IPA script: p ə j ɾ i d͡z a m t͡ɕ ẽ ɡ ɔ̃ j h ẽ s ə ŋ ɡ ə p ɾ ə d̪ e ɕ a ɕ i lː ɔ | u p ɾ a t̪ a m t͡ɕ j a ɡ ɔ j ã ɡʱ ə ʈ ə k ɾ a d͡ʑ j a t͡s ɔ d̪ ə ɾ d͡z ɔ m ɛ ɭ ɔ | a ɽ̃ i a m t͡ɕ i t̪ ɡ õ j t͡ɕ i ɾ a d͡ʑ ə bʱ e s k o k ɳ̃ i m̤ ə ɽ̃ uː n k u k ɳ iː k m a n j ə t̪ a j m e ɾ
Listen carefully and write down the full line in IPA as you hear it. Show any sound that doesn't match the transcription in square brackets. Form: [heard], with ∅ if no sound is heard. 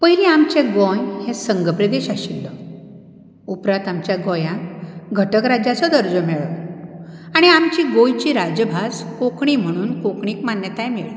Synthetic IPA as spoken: p ə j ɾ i [∅] a m t͡ɕ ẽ ɡ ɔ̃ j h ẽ s ə ŋ ɡ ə p ɾ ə d̪ e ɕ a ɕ i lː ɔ | u p ɾ a t̪ a m t͡ɕ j a ɡ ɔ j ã ɡʱ ə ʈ ə k ɾ a d͡ʑ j a t͡s ɔ d̪ ə ɾ d͡z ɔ m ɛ ɭ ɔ | a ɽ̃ i a m t͡ɕ i [∅] ɡ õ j t͡ɕ i ɾ a d͡ʑ ə bʱ [a] s k o k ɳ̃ i m̤ ə ɽ̃ uː n k [o] k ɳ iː k m a n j ə t̪ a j m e [ɭ]